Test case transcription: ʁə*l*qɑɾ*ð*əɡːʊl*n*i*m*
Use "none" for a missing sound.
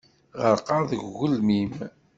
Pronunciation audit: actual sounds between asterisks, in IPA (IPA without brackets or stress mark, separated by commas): ɾ, ð, m, m